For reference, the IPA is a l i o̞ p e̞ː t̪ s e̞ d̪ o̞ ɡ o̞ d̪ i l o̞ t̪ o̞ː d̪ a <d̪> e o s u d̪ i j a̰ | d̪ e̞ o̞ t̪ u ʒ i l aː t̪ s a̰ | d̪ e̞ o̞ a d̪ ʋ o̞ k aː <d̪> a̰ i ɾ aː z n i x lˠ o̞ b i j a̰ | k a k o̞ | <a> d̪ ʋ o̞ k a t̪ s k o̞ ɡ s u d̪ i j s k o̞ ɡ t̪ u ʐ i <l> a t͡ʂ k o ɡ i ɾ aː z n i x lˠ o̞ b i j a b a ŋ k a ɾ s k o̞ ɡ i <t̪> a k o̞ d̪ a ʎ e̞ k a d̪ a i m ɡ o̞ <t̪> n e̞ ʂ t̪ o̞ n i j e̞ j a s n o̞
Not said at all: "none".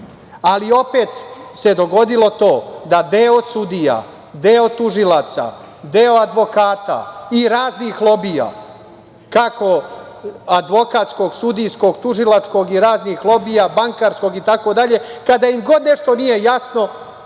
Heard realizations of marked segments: d̪, t̪, a, l, t̪, d̪

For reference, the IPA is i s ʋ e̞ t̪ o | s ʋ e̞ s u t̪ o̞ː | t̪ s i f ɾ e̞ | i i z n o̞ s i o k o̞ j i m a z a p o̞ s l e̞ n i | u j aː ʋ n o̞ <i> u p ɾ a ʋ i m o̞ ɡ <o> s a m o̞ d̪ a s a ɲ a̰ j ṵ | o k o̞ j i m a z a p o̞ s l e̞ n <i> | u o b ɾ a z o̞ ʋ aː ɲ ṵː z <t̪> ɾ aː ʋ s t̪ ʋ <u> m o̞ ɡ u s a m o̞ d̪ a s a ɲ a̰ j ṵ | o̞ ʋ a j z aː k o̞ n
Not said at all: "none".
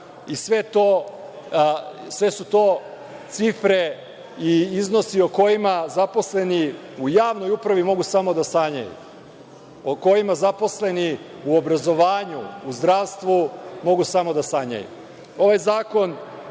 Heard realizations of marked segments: j, u, i, d̪, u

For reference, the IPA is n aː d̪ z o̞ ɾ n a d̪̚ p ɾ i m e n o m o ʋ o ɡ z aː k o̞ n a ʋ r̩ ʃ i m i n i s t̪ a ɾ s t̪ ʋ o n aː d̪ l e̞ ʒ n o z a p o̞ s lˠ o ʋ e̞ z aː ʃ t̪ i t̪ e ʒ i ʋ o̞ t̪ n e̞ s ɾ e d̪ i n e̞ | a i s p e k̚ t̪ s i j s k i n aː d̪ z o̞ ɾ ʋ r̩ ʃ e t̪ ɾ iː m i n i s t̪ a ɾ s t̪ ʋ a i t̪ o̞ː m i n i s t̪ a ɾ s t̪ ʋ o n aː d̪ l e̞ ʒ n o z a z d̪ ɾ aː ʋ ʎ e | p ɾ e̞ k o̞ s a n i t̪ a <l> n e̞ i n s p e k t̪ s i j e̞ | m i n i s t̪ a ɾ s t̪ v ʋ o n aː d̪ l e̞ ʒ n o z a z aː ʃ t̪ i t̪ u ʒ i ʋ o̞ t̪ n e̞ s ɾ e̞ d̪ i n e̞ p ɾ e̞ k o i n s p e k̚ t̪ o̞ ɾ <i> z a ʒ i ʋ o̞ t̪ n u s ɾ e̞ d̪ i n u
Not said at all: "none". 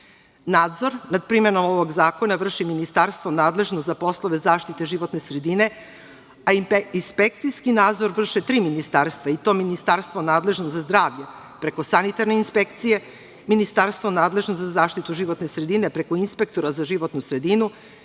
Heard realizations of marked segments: ɾ, a

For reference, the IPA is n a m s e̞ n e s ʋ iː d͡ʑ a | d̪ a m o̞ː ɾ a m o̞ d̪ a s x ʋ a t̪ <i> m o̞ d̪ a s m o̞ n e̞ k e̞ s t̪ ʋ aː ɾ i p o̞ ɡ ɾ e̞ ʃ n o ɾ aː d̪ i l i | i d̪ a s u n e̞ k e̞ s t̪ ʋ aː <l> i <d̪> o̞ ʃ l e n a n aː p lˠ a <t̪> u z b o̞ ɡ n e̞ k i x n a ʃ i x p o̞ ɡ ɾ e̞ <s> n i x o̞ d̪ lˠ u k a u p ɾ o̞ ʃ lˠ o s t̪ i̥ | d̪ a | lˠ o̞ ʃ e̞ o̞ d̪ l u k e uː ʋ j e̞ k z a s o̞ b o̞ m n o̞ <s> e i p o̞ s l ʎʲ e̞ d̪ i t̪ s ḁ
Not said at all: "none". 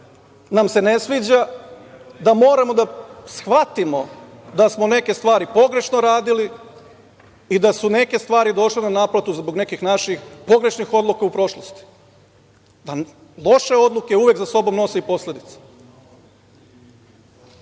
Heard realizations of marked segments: i, ɾ, d̪, t̪, ʃ, s

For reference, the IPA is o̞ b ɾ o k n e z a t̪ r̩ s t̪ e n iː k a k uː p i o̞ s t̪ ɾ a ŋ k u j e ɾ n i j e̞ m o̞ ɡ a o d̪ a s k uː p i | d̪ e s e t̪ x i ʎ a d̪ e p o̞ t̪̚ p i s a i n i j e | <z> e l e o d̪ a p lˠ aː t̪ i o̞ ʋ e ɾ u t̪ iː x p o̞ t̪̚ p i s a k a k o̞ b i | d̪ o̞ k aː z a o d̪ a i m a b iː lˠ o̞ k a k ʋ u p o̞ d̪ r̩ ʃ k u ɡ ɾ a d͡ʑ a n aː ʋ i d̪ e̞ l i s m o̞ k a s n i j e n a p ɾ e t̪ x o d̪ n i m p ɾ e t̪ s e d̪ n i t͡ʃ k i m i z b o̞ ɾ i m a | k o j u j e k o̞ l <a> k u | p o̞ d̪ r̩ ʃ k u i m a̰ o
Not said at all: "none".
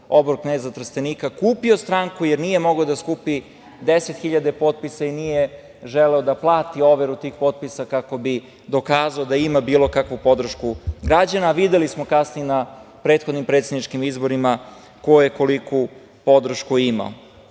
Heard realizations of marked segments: ʒ, i

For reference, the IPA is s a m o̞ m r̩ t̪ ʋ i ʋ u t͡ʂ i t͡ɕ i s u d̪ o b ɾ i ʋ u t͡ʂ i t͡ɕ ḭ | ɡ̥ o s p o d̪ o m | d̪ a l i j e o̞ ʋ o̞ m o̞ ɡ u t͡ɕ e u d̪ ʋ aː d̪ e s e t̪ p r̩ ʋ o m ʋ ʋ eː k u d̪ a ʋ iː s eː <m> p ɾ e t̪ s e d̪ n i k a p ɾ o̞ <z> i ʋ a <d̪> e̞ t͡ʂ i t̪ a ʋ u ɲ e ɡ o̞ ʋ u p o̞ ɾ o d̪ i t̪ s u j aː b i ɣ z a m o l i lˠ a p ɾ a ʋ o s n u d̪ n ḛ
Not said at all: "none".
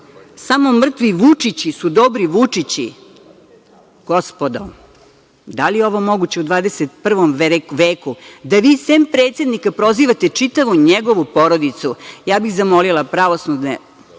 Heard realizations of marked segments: m, z, t̪

